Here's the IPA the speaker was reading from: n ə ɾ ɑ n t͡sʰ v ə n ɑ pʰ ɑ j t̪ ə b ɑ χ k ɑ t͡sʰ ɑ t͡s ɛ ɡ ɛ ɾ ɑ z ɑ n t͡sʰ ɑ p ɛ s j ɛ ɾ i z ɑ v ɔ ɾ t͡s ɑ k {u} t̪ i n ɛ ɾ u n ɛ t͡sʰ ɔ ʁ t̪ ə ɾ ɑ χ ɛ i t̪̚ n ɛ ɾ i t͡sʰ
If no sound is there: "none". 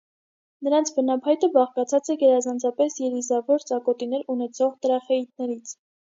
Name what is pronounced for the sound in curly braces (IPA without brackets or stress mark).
ɔ